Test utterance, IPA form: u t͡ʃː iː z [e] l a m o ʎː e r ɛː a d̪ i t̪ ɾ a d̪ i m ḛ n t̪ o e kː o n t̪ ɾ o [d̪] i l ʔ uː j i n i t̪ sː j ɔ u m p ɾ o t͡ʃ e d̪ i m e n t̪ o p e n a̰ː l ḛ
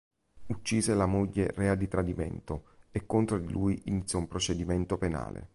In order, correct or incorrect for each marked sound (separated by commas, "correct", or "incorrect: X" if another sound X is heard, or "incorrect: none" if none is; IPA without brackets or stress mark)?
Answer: correct, correct